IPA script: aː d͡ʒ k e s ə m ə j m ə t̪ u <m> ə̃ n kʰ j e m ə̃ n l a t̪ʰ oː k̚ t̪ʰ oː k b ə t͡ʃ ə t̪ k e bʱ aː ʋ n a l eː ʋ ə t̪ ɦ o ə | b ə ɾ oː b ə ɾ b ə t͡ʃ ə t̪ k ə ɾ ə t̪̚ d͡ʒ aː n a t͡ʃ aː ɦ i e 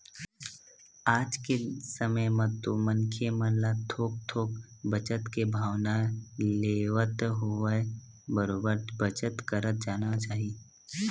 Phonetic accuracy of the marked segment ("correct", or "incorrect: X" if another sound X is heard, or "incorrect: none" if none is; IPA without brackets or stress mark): correct